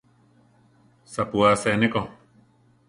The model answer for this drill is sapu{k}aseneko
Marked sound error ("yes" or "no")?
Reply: yes